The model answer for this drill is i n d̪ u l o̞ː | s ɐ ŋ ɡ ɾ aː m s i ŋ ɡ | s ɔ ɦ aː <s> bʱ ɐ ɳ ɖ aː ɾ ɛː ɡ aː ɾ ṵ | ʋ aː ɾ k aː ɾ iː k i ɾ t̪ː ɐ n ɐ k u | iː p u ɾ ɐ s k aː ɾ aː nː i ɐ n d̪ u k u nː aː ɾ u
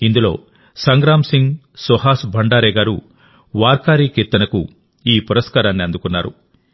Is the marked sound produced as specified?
yes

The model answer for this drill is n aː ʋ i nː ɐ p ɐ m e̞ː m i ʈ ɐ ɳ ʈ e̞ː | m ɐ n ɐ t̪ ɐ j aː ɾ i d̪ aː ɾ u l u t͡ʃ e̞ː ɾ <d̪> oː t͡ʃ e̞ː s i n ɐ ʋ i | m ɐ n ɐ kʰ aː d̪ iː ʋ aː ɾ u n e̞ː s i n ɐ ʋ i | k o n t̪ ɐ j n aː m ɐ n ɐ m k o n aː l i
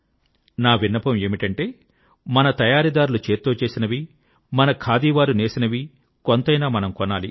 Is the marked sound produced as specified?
no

